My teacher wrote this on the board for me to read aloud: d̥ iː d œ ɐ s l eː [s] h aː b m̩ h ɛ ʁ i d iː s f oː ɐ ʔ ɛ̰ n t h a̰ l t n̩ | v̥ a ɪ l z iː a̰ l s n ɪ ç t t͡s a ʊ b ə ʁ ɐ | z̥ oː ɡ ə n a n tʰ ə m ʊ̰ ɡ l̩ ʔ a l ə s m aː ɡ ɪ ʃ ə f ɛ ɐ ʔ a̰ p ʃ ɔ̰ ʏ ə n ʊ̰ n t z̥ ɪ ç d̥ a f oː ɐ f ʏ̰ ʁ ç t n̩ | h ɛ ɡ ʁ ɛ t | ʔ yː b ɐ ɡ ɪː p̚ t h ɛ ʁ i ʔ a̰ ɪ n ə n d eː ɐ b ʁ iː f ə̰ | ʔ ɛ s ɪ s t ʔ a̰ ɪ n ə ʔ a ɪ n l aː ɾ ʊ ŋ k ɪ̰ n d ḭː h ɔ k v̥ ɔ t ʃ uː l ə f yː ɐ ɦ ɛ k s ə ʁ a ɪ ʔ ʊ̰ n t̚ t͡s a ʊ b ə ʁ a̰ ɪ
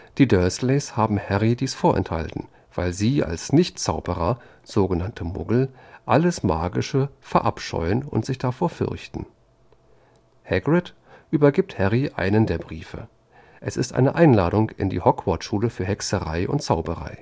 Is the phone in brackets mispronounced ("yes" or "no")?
no